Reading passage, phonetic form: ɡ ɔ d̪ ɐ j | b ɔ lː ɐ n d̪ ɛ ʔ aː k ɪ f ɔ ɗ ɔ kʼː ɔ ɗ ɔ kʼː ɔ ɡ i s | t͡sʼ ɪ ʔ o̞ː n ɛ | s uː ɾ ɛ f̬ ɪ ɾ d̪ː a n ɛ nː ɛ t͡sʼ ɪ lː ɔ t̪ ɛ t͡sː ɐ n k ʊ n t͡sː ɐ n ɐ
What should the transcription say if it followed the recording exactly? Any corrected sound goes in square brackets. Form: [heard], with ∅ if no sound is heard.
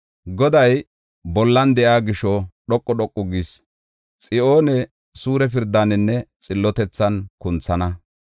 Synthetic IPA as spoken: ɡ ɔ d̪ ɐ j | b ɔ lː ɐ n d̪ ɛ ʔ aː [ɡ] ɪ [ʃ] ɔ ɗ ɔ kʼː ɔ ɗ ɔ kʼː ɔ ɡ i s | t͡sʼ ɪ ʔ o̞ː n ɛ | s uː ɾ ɛ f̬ ɪ ɾ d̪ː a n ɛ nː ɛ t͡sʼ ɪ lː ɔ t̪ ɛ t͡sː ɐ n k ʊ n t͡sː ɐ n ɐ